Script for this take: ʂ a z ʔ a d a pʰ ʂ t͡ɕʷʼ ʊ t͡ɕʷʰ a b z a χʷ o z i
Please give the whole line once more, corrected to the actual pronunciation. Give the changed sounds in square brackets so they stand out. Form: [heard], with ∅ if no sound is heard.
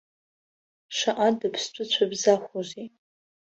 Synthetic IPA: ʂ a [∅] ʔ a d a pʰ [s] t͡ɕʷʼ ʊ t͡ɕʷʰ a b z a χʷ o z i